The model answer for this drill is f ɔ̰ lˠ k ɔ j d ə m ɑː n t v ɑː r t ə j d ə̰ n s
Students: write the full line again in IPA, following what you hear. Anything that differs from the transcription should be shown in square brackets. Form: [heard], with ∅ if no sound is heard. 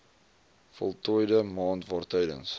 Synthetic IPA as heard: f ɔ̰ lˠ [t] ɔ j d ə m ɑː n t v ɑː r t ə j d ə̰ n s